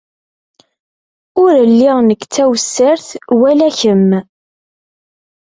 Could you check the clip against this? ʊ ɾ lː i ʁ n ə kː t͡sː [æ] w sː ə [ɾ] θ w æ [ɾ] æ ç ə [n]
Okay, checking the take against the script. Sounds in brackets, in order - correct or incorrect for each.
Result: correct, correct, incorrect: l, incorrect: m

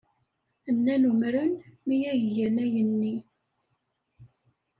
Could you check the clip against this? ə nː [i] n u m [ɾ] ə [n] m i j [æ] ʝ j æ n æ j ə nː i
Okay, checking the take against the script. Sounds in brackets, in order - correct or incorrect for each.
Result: incorrect: æ, correct, correct, correct

